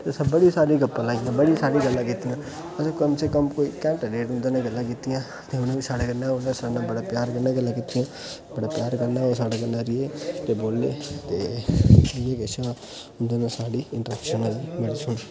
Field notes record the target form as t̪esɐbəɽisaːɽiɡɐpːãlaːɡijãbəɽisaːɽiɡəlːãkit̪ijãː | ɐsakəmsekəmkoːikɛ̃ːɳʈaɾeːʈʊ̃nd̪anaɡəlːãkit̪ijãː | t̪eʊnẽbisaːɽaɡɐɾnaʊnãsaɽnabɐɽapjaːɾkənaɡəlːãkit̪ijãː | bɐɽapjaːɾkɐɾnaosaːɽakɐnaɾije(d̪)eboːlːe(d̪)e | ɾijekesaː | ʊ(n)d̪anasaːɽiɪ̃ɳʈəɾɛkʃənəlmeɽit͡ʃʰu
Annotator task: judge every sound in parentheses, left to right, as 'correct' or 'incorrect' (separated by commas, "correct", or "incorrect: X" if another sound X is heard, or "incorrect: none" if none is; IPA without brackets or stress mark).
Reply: incorrect: t̪, incorrect: t̪, correct